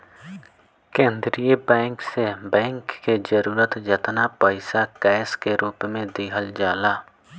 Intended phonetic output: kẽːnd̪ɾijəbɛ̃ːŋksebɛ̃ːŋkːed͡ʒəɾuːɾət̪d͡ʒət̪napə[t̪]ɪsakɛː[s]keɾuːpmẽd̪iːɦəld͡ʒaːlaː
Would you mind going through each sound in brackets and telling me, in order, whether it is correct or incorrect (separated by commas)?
incorrect, correct